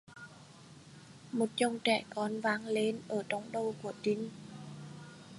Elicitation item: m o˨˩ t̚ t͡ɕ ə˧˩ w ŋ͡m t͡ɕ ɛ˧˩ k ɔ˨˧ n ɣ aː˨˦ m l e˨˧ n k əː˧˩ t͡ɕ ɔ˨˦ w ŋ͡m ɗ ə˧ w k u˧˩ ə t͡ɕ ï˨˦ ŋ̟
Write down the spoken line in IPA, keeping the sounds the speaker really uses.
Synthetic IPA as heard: m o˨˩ t̚ t͡ɕ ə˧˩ w ŋ͡m t͡ɕ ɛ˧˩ k ɔ˨˧ n v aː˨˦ ŋ l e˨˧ n ʔ əː˧˩ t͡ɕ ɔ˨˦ w ŋ͡m ɗ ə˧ w k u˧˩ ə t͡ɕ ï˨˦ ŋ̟